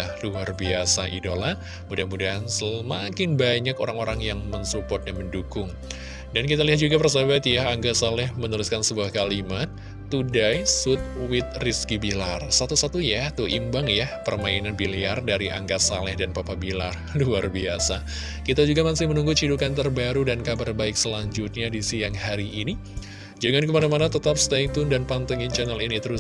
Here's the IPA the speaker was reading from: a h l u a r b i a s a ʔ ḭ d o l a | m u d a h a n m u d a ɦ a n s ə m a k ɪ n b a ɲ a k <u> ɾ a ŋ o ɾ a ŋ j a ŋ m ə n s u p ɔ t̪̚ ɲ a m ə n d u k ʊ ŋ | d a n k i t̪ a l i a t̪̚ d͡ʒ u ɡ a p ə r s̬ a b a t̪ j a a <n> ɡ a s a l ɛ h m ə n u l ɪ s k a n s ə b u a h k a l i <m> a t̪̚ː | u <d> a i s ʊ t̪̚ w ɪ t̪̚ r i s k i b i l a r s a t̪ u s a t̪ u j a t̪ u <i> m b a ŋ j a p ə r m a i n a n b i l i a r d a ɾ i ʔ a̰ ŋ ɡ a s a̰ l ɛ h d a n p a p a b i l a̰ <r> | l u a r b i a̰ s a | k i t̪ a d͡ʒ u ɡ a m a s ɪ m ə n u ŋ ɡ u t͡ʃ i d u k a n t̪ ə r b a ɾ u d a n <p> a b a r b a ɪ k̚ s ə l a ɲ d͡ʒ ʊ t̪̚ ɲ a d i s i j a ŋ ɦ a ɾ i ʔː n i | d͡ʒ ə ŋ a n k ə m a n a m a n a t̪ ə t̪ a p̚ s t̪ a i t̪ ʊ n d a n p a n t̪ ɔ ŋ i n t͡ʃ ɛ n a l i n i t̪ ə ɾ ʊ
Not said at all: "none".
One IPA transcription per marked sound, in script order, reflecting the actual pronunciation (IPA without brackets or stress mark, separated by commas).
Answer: o, ŋ, m, d, i, r, k